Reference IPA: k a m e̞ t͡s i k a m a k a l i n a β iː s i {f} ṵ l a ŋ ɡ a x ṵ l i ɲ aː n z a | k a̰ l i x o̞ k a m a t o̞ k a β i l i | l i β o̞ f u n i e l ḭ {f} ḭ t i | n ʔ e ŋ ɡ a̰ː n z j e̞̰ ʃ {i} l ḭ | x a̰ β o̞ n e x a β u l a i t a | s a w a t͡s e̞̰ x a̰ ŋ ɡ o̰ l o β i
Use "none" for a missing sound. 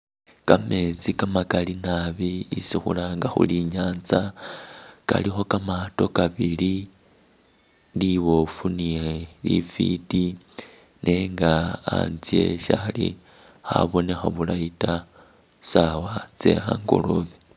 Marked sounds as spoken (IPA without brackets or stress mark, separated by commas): x, f, a